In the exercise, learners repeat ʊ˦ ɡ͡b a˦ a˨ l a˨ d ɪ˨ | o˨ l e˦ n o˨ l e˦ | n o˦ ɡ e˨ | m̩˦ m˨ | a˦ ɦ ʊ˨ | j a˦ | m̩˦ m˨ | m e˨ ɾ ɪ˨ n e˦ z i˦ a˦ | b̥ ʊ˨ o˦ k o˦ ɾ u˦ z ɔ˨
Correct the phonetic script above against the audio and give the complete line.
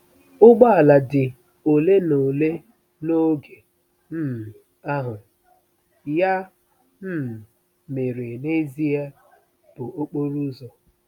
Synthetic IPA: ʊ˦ ɡ͡b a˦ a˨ l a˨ d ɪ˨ | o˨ l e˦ n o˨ l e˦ | n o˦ ɡ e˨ | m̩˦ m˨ | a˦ ɦ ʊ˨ | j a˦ | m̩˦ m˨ | m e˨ ɾ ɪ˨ n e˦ z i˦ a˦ | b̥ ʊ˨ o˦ k͡p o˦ ɾ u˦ z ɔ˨